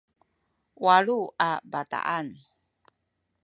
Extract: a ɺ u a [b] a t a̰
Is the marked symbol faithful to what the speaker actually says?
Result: yes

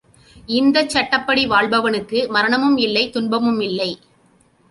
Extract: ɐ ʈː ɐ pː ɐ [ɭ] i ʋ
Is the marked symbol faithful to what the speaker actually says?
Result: no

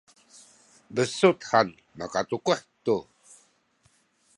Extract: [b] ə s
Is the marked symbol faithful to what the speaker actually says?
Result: yes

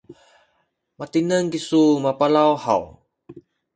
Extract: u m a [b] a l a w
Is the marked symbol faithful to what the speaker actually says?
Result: no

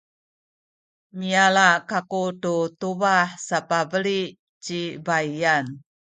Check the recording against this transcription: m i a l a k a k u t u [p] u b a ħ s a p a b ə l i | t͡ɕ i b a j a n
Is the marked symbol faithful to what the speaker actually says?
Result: no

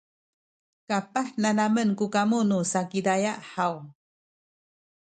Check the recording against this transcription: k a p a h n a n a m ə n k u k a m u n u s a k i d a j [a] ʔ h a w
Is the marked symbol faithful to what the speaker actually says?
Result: yes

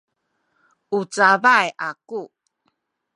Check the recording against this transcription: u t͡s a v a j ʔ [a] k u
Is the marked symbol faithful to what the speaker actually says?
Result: yes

